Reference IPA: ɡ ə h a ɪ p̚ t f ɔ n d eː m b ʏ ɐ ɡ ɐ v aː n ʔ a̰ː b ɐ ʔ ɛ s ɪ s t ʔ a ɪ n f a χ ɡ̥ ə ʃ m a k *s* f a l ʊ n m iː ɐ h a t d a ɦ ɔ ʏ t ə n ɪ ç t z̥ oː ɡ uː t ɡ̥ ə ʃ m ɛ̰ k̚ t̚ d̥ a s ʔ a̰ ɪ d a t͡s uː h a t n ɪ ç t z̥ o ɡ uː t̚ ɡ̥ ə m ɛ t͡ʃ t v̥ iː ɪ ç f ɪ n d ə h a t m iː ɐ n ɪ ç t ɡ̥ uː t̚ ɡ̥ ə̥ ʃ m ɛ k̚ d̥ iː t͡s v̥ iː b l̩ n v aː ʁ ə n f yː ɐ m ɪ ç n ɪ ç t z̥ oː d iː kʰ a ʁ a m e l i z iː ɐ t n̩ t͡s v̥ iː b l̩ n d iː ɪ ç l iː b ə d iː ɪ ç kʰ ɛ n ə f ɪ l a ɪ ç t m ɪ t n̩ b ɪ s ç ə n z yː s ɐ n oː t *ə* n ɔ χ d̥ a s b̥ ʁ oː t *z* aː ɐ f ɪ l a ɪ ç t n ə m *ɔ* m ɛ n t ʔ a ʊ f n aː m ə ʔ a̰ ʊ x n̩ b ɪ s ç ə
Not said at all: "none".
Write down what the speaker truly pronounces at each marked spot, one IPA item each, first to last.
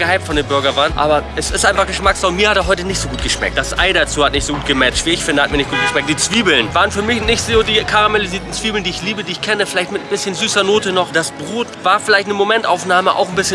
s, ə, v, o

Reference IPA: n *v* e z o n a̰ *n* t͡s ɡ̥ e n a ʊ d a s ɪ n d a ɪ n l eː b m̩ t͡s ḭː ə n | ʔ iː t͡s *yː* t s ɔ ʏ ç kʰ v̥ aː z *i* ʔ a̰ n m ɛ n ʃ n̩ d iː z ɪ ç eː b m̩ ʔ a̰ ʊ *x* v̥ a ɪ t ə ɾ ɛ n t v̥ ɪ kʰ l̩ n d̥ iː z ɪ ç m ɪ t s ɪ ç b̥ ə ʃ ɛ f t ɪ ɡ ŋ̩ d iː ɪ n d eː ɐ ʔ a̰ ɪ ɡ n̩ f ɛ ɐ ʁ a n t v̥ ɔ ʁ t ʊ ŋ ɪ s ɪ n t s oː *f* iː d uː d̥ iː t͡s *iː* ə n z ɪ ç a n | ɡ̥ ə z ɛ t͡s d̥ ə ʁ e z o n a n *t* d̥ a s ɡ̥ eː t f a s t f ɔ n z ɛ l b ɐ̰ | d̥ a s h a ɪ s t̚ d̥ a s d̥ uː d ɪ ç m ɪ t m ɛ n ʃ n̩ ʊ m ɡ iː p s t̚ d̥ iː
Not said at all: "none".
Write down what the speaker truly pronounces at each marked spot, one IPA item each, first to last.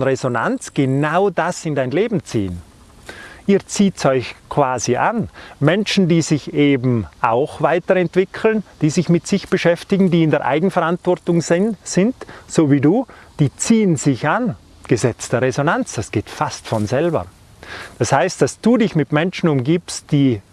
ʁ, n, iː, i, x, v, iː, t͡s

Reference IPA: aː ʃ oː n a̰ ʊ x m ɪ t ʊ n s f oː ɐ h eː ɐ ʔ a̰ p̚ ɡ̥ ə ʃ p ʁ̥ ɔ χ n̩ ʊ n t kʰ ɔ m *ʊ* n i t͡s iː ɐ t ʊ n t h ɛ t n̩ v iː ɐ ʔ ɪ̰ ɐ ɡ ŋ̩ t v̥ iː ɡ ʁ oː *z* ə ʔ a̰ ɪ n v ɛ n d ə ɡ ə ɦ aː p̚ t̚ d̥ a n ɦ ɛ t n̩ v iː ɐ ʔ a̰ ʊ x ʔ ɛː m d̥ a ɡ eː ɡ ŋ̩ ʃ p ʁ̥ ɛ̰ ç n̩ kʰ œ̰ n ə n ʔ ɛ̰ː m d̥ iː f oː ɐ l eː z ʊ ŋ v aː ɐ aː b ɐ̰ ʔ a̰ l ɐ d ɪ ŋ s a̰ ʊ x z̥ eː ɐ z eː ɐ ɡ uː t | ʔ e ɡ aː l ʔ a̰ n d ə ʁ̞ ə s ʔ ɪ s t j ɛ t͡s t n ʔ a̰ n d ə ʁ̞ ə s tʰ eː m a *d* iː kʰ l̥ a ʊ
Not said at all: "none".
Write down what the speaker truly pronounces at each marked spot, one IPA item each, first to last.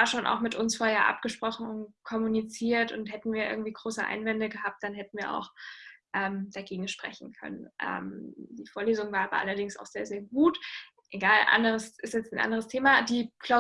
u, s, d

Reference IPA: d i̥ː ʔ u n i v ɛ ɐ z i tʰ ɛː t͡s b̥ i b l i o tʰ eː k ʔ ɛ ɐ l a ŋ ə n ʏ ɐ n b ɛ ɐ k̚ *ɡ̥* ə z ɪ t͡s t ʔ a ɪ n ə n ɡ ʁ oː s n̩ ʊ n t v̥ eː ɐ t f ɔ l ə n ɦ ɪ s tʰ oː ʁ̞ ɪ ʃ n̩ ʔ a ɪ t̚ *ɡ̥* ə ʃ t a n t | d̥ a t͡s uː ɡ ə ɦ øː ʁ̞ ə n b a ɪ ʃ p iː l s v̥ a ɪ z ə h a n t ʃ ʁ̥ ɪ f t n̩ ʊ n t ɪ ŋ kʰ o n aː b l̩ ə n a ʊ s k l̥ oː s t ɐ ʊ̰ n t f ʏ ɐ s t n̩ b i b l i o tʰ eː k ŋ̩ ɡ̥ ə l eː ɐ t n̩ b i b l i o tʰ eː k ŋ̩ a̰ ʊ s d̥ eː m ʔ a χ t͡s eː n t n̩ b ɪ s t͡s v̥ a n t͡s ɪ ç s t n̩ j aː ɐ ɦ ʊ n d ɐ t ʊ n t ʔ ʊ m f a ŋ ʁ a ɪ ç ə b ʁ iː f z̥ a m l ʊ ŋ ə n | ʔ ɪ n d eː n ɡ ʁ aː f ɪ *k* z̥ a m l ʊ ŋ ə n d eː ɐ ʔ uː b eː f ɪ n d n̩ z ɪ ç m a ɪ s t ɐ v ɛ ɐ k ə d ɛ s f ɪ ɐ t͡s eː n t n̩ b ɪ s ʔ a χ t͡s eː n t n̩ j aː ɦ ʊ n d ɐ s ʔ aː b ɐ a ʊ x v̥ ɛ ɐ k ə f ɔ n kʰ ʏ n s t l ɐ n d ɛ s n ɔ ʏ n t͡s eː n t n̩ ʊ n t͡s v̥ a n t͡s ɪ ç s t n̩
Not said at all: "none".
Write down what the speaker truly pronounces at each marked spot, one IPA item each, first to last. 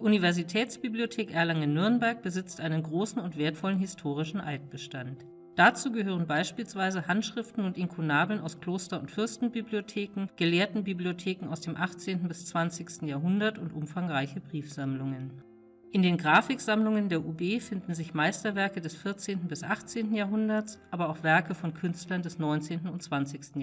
b̥, b̥, k

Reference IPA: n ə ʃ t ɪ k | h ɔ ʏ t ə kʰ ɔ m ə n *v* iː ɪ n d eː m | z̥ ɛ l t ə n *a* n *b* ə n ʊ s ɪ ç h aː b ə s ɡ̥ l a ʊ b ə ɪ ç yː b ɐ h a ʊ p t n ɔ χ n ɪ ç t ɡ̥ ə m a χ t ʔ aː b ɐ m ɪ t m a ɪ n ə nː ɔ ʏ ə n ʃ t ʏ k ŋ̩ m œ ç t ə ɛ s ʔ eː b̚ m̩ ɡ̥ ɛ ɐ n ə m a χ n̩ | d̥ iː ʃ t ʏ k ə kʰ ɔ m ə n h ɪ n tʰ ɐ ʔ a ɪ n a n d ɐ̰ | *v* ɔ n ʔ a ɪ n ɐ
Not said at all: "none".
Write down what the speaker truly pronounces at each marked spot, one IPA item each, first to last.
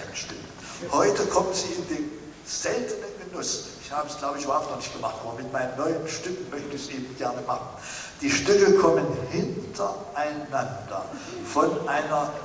z, ə, ɡ, f

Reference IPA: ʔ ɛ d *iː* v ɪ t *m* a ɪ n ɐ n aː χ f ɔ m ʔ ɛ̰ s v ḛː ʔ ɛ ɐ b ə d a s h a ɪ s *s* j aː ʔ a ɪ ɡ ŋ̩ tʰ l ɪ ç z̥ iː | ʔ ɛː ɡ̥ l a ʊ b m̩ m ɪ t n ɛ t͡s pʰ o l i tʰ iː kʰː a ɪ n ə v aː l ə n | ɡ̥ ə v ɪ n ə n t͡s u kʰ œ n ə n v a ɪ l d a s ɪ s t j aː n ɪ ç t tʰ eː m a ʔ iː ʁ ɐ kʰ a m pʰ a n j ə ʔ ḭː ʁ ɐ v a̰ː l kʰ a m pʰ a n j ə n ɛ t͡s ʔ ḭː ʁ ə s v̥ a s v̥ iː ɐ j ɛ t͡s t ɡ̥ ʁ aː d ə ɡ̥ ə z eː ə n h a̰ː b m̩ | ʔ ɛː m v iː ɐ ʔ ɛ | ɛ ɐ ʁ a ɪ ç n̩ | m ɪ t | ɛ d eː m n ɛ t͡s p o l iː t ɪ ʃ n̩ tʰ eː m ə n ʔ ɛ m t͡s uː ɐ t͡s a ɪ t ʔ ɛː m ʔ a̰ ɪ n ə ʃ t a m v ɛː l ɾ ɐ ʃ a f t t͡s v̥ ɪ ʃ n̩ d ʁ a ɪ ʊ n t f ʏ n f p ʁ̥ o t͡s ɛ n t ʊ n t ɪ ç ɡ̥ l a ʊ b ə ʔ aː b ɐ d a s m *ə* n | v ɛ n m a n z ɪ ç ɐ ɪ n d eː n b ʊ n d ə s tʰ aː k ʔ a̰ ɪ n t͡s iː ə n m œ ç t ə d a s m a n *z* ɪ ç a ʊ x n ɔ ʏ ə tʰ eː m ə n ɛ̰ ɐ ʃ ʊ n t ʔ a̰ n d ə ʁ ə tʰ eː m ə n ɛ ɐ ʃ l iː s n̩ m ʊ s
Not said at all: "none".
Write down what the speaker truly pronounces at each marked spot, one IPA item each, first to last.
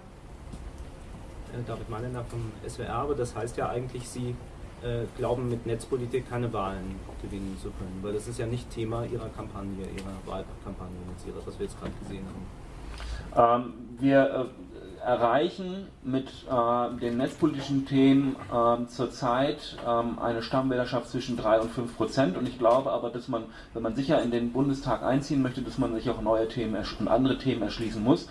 aː, m, t, a, z

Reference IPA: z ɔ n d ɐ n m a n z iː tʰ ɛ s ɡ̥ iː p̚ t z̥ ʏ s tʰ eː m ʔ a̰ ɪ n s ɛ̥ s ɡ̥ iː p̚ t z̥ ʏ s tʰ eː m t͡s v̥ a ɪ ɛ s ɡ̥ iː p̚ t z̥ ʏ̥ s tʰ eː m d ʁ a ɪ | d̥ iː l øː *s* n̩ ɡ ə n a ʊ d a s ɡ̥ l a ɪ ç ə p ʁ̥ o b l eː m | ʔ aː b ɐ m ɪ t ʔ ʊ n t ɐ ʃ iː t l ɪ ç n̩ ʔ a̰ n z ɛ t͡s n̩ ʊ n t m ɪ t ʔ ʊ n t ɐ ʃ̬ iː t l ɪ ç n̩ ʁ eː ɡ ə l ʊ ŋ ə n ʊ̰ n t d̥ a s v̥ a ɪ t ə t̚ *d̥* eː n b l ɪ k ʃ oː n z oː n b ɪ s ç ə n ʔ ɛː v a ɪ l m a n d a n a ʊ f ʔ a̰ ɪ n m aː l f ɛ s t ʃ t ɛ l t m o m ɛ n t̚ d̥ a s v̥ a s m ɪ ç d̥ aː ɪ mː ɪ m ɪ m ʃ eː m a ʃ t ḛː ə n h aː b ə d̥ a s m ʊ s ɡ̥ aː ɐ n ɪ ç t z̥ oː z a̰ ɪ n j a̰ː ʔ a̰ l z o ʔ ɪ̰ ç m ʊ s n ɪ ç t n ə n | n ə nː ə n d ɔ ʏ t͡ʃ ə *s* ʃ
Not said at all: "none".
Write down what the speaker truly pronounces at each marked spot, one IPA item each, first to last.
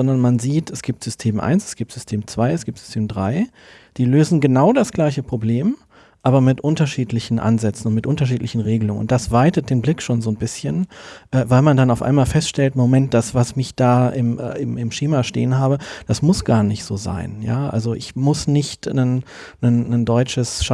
z, d̥, s

